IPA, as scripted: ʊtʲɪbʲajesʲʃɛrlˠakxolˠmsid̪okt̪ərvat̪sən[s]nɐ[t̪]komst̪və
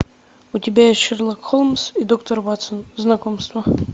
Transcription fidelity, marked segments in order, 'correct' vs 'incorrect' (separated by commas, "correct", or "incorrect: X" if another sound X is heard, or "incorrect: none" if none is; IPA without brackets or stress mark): incorrect: z, incorrect: none